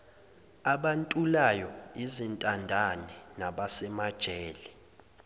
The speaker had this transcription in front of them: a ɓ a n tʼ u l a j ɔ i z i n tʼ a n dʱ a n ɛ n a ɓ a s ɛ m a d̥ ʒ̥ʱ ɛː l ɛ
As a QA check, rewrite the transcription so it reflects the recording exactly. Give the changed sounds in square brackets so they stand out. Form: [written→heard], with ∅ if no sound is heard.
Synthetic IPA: a ɓ a n tʼ u l a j ɔ i z i n tʼ a n dʱ a n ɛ n a ɓ a s ɛ m a d̥ ʒ̥ʱ ɛː l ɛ